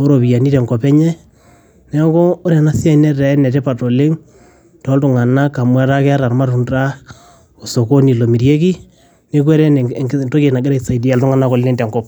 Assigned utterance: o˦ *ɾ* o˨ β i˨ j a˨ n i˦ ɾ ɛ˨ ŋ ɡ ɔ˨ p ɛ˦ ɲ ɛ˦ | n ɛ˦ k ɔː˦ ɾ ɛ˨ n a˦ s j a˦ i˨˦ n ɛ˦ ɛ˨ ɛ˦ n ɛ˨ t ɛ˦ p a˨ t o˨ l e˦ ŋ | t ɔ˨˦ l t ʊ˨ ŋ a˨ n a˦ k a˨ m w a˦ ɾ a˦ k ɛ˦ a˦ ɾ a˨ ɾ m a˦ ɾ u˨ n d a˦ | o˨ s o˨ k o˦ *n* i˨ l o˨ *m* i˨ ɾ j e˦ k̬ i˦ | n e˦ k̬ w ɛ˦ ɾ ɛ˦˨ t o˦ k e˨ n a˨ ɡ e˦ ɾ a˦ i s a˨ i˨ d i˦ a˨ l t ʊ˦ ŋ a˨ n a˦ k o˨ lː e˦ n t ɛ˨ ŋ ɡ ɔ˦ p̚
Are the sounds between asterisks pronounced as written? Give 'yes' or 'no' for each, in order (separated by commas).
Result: yes, yes, yes